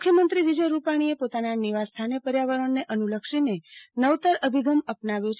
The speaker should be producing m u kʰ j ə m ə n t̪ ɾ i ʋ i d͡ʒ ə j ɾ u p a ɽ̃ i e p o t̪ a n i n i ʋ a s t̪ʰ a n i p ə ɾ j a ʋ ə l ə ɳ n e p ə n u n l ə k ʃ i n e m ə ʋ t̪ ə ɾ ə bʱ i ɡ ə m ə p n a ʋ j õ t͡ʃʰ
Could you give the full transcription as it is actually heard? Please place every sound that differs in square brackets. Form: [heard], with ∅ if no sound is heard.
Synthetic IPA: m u kʰ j ə m ə n t̪ ɾ i ʋ i d͡ʒ ə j ɾ u p a ɽ̃ i e p o t̪ a n [a] n i ʋ a s t̪ʰ a n [e] p ə ɾ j a ʋ ə [ɾ] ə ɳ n e [ʔ] ə n u [∅] l ə k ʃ i n e [n] ə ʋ t̪ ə ɾ ə bʱ i ɡ ə m ə p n a ʋ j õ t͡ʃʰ